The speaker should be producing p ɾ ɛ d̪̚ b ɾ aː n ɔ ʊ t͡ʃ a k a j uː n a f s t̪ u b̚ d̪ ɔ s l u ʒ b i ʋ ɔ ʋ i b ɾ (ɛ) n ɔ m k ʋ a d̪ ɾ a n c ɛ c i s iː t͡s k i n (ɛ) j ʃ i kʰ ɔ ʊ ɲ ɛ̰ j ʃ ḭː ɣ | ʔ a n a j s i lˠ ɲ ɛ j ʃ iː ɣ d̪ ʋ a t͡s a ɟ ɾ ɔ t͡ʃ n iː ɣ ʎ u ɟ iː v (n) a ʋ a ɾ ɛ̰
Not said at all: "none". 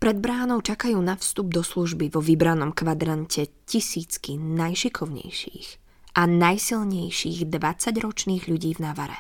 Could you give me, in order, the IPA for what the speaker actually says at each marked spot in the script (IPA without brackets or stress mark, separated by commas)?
a, a, n